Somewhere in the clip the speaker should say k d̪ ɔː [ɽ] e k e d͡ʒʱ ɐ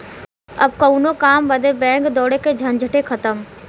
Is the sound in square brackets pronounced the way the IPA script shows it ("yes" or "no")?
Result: yes